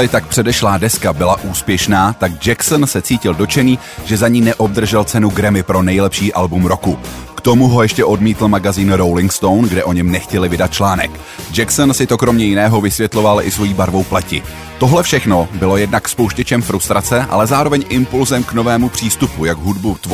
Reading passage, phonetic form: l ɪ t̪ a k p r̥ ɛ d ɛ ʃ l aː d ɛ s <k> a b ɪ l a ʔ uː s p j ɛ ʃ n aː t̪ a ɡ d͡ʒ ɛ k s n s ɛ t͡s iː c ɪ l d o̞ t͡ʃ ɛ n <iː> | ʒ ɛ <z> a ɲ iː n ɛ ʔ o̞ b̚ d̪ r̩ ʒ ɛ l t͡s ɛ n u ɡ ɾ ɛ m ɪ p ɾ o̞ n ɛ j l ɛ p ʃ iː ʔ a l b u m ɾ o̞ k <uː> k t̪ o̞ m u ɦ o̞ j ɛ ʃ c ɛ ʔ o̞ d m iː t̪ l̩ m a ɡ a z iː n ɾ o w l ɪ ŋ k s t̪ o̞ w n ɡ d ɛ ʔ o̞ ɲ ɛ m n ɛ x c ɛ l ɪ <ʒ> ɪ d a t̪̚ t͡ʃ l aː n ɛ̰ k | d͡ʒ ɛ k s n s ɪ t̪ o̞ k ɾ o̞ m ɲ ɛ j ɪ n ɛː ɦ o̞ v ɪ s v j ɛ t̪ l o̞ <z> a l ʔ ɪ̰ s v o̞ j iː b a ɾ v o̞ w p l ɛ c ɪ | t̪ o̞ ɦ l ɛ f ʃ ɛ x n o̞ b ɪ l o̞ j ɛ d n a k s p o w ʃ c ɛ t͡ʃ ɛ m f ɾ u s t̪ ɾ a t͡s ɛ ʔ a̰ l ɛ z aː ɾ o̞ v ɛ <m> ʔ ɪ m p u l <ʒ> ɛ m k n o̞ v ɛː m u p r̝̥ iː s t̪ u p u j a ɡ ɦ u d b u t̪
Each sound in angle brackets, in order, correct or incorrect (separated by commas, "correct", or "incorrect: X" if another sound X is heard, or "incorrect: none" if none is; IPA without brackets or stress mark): correct, correct, correct, incorrect: u, incorrect: v, incorrect: v, incorrect: ɲ, incorrect: z